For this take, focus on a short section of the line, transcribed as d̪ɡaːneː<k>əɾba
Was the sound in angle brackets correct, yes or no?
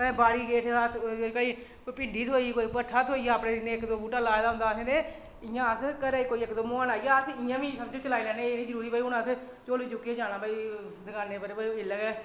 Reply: no